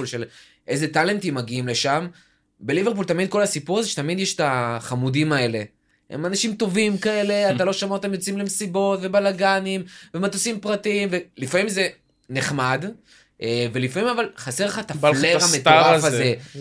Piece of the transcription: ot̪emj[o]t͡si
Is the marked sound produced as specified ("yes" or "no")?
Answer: yes